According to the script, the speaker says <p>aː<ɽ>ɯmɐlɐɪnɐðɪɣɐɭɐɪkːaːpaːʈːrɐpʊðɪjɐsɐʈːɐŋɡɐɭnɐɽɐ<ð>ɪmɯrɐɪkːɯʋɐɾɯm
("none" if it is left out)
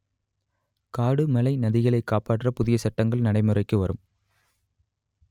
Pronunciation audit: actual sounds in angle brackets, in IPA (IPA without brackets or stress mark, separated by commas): k, ɽ, none